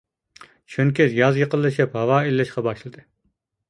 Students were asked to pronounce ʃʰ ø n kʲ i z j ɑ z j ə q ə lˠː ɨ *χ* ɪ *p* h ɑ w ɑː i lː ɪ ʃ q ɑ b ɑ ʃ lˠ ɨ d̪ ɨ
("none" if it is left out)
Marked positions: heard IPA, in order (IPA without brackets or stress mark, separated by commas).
ʃ, p